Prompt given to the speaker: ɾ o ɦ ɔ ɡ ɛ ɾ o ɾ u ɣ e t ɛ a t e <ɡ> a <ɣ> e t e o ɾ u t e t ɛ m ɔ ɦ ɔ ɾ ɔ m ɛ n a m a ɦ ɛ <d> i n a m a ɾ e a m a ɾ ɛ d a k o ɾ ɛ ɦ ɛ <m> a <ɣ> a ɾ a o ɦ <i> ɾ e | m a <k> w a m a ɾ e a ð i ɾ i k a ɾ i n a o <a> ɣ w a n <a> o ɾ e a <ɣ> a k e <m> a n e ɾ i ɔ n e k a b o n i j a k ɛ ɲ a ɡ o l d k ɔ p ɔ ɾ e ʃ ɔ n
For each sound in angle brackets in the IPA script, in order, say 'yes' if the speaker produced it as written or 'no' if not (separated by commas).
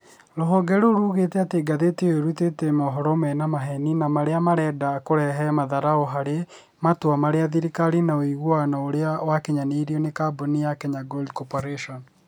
yes, no, no, yes, no, no, no, no, yes, no, no